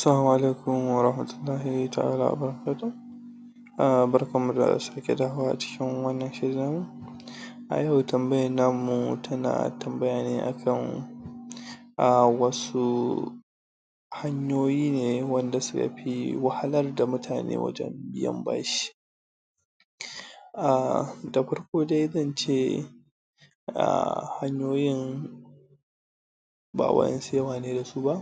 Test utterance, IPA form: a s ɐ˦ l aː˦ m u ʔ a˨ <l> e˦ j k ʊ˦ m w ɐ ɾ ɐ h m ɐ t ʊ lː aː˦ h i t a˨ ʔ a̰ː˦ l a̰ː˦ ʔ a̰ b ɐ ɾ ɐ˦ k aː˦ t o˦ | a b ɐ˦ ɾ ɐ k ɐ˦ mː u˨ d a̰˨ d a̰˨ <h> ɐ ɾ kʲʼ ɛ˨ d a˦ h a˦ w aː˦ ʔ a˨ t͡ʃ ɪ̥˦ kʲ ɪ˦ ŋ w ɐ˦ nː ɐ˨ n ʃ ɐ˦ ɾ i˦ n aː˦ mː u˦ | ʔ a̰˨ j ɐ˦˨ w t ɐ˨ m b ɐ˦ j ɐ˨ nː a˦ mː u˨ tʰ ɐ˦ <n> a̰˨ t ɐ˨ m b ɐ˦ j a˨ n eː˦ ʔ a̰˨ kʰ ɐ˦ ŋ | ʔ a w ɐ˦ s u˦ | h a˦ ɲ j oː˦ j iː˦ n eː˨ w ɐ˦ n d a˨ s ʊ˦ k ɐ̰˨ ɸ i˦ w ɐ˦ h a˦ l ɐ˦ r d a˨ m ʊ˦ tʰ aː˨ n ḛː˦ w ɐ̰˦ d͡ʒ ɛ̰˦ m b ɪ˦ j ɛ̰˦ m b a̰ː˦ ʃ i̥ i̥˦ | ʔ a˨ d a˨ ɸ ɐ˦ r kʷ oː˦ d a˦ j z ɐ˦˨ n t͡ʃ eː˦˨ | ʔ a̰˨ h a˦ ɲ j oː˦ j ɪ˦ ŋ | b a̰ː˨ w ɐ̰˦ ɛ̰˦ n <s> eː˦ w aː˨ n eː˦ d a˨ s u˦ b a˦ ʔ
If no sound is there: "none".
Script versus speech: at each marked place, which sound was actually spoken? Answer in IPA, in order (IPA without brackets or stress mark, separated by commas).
l, s, n, s